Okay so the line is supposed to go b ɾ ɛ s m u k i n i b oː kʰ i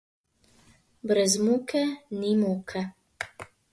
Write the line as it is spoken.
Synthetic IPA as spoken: b ɾ ɛ z m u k ɛ n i m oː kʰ ɛ